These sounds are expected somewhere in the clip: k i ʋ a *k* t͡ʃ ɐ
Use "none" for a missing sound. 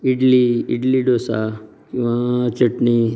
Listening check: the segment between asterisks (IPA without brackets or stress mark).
none